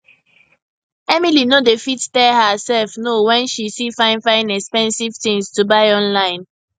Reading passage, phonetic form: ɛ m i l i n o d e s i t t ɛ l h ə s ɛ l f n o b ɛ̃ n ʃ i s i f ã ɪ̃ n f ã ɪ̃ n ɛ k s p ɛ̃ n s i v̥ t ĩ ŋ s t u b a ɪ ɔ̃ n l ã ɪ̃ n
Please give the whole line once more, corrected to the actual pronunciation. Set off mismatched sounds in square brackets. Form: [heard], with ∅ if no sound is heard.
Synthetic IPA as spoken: ɛ m i l i n o d e [f] i t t ɛ l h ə s ɛ l f n o [w] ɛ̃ n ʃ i s i f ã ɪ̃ n f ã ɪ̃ n ɛ k s p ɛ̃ n s i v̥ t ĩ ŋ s t u b a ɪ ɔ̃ n l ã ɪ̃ n